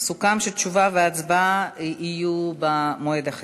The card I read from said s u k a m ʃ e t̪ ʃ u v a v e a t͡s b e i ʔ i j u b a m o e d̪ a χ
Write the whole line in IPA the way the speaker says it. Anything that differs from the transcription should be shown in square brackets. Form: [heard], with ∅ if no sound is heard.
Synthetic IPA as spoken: s u k a m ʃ e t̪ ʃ u v a v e a t͡s b [a] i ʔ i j u b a m o e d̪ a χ

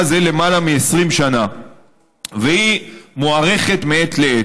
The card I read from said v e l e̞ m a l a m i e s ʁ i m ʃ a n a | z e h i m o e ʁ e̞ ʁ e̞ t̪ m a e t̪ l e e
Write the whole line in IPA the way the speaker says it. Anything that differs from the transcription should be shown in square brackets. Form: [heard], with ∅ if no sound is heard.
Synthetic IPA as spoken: [z] e l e̞ m a l a m i e s ʁ i m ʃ a n a | [v] e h i m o [a] ʁ e̞ [χ] e̞ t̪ m [e] e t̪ l e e

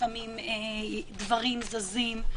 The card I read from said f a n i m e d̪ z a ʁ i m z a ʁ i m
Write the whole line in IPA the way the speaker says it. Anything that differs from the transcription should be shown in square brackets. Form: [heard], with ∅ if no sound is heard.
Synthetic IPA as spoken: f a [m] i m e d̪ [v] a ʁ i m z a [z] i m

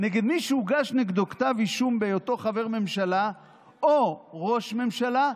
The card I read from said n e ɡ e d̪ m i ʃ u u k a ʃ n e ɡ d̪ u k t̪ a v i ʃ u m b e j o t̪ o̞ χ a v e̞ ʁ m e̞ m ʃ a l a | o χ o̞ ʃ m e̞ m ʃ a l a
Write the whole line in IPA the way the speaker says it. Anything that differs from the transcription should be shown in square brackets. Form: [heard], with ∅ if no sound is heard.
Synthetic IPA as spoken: n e ɡ e d̪ m i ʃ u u [ɡ] a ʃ n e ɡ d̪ [o] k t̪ a v i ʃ u m b e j o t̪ o̞ χ a v e̞ ʁ m e̞ m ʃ a l a | o [ʁ] o̞ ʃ m e̞ m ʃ a l a

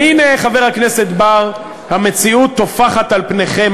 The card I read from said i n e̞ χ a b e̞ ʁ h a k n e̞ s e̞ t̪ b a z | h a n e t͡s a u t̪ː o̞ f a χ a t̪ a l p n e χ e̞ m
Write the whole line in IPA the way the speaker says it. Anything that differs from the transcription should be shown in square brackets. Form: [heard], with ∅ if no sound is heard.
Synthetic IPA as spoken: i n e̞ χ a [v] e̞ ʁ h a k n e̞ s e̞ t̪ b a [ʁ] | h a [m] e t͡s [i] u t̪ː o̞ f a χ a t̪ a l p n e χ e̞ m

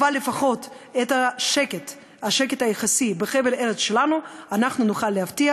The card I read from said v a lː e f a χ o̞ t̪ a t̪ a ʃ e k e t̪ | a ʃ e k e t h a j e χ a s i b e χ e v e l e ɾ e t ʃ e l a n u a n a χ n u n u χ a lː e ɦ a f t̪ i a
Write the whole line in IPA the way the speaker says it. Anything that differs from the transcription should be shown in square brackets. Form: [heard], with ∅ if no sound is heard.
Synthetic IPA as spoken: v a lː e f a χ o̞ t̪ [e] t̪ a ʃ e k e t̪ | a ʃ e k e t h a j e χ a s i b e χ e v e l e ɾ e [t͡s] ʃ e l a n u a n a χ n u n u χ a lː e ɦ a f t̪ i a

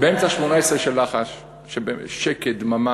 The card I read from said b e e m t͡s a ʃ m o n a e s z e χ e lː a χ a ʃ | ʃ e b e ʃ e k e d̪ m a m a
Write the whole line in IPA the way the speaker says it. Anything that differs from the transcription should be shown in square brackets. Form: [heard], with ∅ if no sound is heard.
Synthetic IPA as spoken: b e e m t͡s a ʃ m o n a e s [ʁ] e [ʃ] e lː a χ a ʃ | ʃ e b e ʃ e k e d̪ m a m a

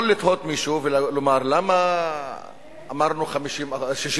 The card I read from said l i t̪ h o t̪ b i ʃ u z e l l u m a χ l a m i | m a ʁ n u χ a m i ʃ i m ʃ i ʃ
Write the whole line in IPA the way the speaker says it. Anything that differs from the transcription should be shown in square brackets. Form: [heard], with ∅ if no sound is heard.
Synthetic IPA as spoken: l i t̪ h o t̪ [m] i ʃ u [v] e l l [o] m a [ʁ] l a m [a] | m a ʁ n u χ a m i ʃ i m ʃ i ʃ

